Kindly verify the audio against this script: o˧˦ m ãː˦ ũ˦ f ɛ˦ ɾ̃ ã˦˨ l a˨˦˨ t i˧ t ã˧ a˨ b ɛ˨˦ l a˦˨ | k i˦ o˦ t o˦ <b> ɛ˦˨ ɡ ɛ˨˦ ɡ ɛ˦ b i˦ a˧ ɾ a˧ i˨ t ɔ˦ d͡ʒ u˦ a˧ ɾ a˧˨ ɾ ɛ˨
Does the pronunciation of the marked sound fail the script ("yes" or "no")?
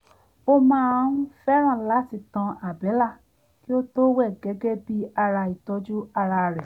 yes